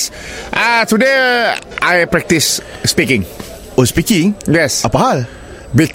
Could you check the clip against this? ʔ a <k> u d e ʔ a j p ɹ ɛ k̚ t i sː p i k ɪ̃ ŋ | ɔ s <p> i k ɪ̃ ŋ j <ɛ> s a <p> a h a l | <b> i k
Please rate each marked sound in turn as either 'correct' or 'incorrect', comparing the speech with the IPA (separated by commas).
incorrect, correct, correct, correct, correct